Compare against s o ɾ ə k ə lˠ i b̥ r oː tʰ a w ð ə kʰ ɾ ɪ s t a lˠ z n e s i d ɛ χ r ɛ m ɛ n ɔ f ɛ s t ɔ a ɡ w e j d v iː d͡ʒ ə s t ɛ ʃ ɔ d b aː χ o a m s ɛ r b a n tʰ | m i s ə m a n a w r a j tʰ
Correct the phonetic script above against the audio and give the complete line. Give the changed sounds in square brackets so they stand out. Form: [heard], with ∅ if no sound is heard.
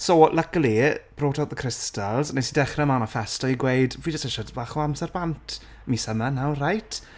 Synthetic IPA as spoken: s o [l] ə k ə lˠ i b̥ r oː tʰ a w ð ə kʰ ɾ ɪ s t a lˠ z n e s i d ɛ χ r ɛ m [a] n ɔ f ɛ s t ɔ [i] ɡ w e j d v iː d͡ʒ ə s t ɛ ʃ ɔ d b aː χ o a m s ɛ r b a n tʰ | m i s ə m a n a w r a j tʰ

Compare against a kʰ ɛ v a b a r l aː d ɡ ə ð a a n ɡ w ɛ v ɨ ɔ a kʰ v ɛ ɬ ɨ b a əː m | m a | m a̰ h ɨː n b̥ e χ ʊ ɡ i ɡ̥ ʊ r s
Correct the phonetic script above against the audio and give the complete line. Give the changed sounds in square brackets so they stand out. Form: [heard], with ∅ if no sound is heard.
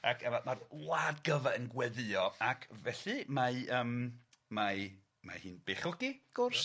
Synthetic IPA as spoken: a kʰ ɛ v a [m] a r l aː d ɡ ə [v] a [ə] n ɡ w ɛ [ð] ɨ ɔ a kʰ v ɛ ɬ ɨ [m] a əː m | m a | m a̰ h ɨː n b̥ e χ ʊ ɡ i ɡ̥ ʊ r s

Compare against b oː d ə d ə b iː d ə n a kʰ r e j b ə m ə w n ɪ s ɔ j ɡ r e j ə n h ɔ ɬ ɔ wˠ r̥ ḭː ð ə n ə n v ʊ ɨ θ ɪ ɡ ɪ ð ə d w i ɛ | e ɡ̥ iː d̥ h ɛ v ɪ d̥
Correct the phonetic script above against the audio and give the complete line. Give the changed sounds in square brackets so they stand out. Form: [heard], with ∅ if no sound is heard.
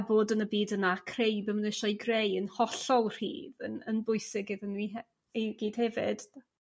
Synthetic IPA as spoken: b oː d ə [n] ə b iː d ə n a kʰ r e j b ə m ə [∅] n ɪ [ʃ] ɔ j ɡ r e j ə n h ɔ ɬ ɔ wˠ r̥ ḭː ð ə n ə n [b] ʊ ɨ [s] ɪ ɡ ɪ ð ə [n] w i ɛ | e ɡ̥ iː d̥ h ɛ v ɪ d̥

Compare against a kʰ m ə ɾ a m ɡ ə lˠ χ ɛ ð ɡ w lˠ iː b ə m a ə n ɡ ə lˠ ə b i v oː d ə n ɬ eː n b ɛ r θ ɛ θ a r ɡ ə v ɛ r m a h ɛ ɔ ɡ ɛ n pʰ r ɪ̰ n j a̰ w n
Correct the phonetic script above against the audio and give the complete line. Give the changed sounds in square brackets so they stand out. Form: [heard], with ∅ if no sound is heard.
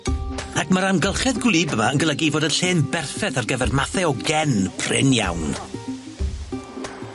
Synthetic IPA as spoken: a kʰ m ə ɾ a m ɡ ə lˠ χ ɛ ð ɡ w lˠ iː b ə m a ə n ɡ ə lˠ ə [ɡ] i v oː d ə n ɬ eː n b ɛ r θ ɛ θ a r ɡ ə v ɛ r m a [θ] ɛ ɔ ɡ ɛ n pʰ r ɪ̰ n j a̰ w n

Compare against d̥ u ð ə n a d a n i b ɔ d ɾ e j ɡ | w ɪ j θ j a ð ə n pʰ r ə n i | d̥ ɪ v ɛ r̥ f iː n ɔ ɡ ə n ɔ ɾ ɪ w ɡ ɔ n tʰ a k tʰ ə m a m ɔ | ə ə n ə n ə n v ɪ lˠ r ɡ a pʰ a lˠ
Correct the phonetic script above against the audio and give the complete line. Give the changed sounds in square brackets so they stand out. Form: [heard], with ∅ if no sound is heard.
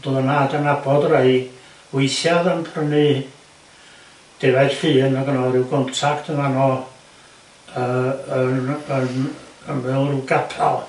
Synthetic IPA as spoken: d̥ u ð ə n a d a n [a] b ɔ d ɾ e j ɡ | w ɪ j θ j a ð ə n pʰ r ə n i | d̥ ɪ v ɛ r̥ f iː n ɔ ɡ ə n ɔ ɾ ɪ w ɡ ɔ n tʰ a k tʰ ə m a [n] ɔ | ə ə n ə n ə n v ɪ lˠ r ɡ a pʰ a lˠ

